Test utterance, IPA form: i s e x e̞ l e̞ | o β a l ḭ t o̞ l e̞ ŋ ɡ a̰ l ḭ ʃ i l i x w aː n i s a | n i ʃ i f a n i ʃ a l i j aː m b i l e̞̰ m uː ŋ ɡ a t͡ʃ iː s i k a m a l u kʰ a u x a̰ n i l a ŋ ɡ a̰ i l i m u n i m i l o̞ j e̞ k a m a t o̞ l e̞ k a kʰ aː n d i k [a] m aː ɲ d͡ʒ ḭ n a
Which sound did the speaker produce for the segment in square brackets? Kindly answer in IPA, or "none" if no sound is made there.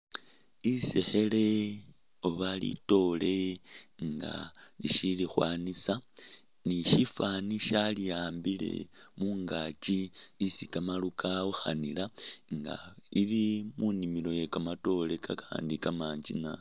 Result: a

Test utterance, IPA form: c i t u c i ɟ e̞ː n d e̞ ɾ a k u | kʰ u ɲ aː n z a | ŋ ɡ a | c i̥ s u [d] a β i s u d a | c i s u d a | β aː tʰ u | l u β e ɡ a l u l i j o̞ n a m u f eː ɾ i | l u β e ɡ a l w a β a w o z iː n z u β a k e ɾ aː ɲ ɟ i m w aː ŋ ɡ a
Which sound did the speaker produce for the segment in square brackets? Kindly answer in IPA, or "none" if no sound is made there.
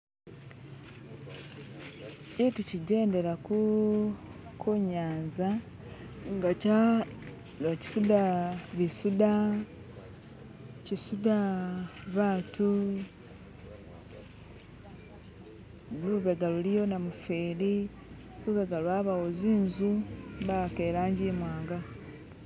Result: d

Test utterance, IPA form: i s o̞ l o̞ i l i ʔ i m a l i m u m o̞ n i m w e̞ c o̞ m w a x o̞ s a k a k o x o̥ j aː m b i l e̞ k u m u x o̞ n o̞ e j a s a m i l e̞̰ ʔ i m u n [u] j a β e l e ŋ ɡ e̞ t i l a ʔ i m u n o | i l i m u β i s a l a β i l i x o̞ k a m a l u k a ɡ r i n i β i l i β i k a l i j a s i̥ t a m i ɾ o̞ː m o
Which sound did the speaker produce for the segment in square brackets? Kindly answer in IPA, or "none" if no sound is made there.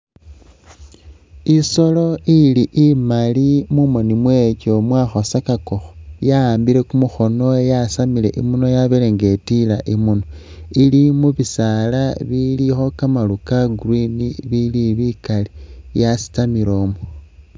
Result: o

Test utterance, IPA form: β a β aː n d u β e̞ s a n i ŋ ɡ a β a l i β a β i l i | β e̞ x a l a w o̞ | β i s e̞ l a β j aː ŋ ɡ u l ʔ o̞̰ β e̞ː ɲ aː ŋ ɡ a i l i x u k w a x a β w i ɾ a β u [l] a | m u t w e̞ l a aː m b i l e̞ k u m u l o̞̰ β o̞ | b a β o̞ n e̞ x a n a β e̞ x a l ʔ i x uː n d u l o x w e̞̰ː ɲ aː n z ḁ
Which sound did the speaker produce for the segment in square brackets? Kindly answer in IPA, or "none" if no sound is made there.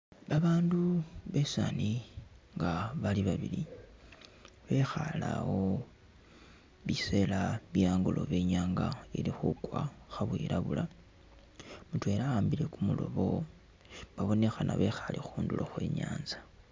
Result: l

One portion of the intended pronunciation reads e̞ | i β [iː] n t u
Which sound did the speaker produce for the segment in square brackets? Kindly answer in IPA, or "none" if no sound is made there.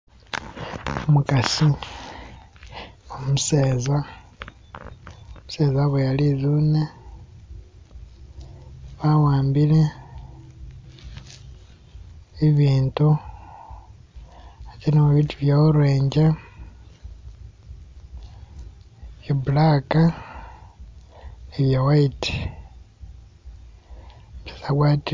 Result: iː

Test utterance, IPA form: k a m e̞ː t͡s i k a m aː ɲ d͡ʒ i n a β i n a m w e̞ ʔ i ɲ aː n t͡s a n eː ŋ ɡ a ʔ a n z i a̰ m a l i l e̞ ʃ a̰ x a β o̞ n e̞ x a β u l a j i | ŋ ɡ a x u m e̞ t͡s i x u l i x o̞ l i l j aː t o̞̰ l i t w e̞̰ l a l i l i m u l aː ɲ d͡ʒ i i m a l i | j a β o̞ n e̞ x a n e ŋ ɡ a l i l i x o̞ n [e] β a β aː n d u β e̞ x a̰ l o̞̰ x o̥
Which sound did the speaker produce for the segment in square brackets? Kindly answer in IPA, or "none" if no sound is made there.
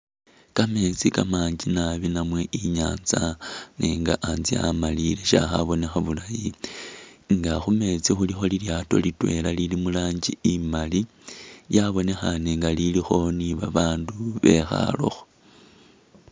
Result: i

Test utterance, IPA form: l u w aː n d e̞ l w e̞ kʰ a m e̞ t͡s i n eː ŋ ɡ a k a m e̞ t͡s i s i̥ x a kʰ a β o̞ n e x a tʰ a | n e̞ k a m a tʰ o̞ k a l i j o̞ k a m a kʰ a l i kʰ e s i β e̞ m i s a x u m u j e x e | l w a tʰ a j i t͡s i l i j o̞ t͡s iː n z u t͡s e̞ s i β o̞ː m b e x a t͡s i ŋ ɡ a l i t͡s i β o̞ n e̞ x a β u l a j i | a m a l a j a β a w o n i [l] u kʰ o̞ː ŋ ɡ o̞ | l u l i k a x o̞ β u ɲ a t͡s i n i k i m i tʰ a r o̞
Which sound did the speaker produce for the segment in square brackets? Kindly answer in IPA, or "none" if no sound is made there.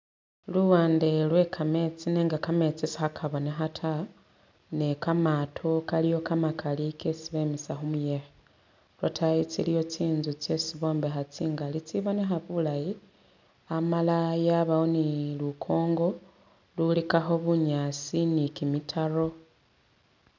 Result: l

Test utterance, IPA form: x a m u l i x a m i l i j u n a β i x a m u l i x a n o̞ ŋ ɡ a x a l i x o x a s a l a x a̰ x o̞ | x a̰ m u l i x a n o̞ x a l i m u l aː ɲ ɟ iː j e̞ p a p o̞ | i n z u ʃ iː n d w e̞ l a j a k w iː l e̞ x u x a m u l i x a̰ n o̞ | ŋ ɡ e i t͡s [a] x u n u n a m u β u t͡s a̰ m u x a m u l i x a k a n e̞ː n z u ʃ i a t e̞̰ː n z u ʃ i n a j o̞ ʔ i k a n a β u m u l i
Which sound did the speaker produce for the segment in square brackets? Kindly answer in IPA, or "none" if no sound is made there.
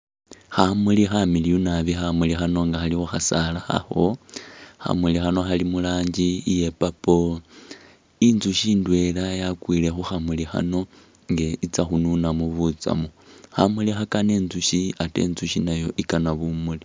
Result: a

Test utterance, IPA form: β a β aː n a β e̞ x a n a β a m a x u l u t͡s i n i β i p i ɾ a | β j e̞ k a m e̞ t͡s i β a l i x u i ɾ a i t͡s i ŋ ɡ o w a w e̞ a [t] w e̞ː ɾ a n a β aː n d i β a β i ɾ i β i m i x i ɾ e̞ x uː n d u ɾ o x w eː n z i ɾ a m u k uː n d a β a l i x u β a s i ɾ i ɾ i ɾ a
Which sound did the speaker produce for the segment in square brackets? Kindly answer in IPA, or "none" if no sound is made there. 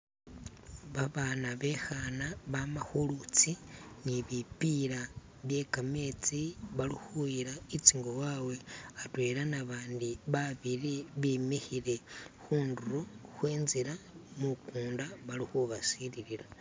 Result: t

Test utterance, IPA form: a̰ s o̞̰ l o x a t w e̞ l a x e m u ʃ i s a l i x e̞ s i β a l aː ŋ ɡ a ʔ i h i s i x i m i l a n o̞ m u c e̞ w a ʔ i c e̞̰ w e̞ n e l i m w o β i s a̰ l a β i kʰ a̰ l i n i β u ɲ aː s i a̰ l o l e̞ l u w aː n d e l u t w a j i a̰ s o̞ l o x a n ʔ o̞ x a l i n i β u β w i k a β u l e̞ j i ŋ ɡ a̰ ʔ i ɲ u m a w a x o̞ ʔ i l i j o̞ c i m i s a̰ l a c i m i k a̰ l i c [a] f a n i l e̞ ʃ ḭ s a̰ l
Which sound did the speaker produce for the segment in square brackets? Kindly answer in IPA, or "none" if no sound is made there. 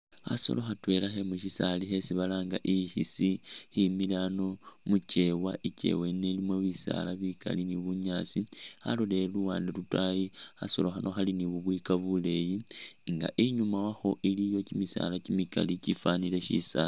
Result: i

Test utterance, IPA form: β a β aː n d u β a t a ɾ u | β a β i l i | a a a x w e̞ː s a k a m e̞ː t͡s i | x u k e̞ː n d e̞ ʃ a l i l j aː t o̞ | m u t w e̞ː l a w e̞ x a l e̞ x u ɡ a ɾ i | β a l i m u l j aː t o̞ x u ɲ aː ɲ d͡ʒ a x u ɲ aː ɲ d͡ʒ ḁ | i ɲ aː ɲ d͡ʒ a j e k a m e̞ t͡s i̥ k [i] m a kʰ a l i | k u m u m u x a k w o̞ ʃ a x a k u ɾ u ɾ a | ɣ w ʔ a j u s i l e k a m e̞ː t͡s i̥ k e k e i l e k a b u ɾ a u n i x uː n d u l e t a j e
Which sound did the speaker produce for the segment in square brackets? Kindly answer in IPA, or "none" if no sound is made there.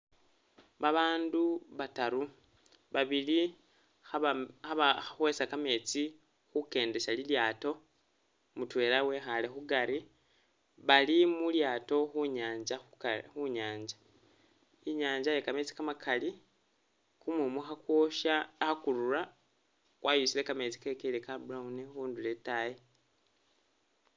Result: a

